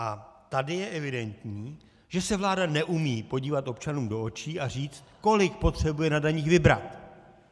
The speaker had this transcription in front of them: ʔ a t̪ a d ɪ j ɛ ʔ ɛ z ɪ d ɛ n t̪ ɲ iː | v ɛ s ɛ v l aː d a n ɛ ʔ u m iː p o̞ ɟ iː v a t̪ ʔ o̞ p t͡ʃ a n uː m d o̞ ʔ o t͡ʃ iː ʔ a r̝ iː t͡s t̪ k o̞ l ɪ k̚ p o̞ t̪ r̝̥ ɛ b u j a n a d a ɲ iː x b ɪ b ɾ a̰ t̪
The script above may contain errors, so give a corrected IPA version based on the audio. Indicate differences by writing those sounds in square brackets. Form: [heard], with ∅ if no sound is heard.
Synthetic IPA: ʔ a t̪ a d ɪ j ɛ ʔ ɛ [v] ɪ d ɛ n t̪ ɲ iː | [ʒ] ɛ s ɛ v l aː d a n ɛ ʔ u m iː p o̞ ɟ iː v a t̪ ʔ o̞ p t͡ʃ a n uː m d o̞ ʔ o t͡ʃ iː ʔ a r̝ iː t͡s t̪ k o̞ l ɪ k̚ p o̞ t̪ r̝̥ ɛ b u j [ɛ] n a d a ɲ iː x [v] ɪ b ɾ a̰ t̪